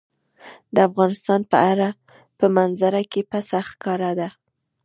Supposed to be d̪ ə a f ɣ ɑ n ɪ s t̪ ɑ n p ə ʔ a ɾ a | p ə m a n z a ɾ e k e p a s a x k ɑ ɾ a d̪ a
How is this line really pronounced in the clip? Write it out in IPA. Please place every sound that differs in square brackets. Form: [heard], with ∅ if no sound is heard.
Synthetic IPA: d̪ ə a f ɣ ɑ n ɪ s t̪ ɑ n p ə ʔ a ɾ a | p ə m a n z a ɾ [a] k e p a s a x k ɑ ɾ a d̪ a